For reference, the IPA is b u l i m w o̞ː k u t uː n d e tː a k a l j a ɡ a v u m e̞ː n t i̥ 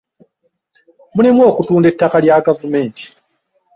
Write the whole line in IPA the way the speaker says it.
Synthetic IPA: m u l i m w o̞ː k u t uː n d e tː a k a l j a ɡ a v u m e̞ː n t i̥